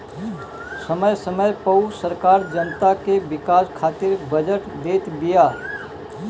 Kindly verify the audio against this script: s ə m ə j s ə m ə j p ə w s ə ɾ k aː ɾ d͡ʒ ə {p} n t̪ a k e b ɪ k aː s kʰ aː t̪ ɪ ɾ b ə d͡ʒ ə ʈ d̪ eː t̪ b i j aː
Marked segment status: incorrect: none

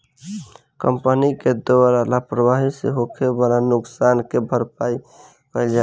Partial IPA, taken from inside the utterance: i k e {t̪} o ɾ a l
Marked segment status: incorrect: d̪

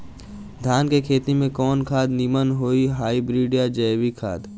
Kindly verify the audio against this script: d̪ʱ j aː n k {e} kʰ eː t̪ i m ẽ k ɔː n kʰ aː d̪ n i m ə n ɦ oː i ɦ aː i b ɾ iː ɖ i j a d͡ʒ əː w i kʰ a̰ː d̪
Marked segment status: correct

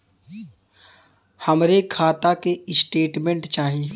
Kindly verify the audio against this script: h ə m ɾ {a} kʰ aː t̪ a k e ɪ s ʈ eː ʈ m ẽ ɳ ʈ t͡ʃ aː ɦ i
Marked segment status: incorrect: e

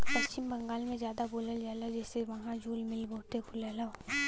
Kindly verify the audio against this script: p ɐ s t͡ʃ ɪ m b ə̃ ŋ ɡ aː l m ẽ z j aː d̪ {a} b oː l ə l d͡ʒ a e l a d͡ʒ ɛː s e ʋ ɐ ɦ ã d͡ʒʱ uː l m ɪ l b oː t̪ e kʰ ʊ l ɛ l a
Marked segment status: correct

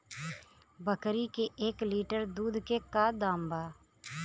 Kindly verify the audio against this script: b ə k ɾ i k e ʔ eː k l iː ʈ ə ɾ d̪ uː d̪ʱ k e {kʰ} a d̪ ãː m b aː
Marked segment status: incorrect: k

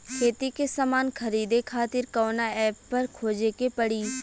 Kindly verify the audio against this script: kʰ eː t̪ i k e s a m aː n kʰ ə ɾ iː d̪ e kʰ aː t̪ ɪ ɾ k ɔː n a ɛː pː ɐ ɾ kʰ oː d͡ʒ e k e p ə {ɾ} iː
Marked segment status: incorrect: ɽ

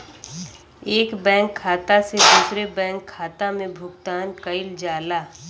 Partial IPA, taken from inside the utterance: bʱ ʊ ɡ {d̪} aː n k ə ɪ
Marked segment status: incorrect: t̪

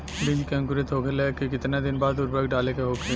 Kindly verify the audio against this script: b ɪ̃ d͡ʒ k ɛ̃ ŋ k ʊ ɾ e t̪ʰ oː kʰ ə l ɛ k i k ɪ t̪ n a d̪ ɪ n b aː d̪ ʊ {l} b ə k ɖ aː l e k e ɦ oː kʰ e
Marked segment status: incorrect: ɾ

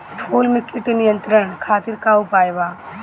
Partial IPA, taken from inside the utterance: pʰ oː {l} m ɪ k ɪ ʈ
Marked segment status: correct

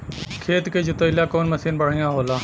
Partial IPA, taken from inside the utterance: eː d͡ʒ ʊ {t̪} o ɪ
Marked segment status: correct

